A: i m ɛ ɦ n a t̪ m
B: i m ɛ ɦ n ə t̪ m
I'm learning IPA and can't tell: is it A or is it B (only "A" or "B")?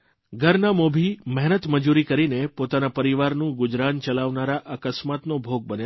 B